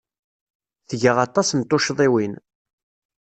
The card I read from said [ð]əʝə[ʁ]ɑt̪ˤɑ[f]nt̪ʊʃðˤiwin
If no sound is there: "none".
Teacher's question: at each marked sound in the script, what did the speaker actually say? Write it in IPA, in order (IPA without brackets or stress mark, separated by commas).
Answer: θ, ʁ, s